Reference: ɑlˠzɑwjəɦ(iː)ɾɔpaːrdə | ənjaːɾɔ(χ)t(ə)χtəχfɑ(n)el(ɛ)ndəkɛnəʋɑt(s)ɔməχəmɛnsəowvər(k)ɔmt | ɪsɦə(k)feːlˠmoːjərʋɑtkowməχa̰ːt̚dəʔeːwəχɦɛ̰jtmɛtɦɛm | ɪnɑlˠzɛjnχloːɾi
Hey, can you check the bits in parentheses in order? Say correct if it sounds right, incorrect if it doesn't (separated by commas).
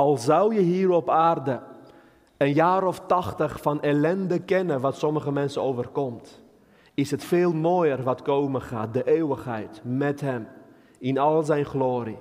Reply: correct, incorrect, incorrect, correct, correct, correct, correct, incorrect